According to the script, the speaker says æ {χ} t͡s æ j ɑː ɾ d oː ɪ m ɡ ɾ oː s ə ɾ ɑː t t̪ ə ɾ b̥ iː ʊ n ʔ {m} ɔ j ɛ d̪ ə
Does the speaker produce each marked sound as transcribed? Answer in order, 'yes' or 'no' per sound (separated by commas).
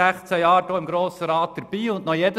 yes, no